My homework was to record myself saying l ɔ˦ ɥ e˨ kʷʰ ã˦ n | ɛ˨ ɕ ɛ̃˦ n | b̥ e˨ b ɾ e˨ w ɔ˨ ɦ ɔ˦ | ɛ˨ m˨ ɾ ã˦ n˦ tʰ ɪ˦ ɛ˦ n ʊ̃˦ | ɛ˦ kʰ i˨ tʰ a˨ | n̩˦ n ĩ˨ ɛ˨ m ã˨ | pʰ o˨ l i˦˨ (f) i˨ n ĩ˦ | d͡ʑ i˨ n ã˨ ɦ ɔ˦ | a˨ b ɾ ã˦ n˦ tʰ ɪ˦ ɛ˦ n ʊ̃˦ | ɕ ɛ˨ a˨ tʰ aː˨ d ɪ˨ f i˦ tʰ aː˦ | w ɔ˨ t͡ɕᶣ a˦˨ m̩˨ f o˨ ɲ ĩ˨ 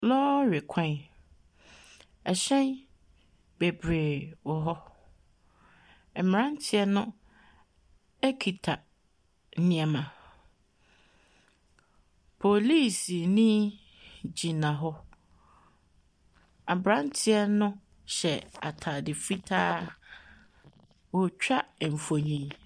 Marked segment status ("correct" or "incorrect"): incorrect